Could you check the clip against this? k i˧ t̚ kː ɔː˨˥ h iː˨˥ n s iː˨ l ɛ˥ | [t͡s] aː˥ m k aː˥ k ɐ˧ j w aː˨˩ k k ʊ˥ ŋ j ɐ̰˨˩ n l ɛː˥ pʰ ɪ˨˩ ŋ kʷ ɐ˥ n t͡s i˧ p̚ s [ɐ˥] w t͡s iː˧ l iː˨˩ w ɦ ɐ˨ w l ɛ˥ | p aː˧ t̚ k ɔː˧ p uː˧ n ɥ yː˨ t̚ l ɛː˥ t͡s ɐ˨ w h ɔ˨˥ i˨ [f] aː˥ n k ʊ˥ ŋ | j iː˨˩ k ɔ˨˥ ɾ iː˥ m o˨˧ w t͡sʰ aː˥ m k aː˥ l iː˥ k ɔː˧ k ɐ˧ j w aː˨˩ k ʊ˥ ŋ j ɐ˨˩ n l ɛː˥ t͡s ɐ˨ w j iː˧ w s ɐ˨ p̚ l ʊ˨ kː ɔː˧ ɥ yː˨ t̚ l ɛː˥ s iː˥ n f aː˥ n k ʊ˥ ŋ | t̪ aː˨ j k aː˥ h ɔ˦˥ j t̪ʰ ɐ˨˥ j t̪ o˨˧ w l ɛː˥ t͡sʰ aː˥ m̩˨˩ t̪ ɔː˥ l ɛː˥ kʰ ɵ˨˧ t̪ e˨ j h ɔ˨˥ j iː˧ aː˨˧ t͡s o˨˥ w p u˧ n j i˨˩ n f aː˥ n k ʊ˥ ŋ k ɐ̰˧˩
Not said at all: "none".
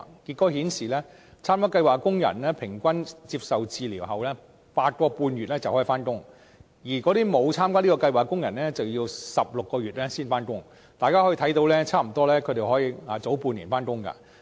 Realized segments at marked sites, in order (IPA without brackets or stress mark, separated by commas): t͡sʰ, ɐ˨, f